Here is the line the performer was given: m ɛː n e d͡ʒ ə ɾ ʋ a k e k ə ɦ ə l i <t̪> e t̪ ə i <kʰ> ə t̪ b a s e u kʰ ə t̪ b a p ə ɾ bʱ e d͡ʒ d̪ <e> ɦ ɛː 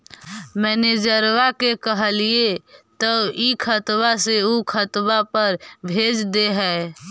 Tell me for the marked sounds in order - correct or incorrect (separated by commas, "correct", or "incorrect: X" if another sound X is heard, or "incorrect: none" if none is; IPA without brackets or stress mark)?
incorrect: none, correct, correct